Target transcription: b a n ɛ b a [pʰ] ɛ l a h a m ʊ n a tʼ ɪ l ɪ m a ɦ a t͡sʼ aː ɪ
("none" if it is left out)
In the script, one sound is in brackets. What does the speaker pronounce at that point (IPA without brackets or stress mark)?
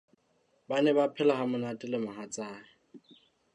pʰ